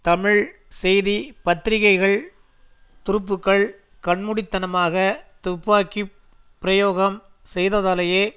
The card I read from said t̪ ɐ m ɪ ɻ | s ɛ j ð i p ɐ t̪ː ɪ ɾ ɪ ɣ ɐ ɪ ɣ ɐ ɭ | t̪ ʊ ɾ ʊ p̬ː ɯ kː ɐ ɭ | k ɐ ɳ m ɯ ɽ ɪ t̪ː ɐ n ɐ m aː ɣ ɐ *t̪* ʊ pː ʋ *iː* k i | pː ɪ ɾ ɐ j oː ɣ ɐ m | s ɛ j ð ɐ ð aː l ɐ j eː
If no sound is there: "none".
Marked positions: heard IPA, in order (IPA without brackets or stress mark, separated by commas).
t̪, aː